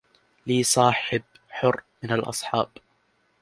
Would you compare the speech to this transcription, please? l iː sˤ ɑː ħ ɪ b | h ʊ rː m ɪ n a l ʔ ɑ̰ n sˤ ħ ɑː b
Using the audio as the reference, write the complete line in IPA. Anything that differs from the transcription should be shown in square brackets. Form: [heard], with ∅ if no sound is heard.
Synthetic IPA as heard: l iː sˤ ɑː ħ ɪ b | [ħ] ʊ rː m ɪ n a l ʔ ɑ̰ [∅] sˤ ħ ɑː b